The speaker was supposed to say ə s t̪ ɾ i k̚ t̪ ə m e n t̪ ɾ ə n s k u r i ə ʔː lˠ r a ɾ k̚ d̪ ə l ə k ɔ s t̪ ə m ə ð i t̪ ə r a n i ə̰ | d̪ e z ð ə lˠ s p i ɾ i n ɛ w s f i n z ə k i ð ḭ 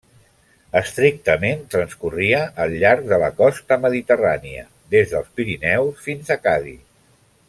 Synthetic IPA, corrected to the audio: ə s t̪ ɾ i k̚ t̪ ə m e n t̪ ɾ ə n s k u r i ə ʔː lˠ ʎ a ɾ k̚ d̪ ə l ə k ɔ s t̪ ə m ə ð i t̪ ə r a n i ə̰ | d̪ e z ð ə lˠ s p i ɾ i n ɛ w s f i n z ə k a ð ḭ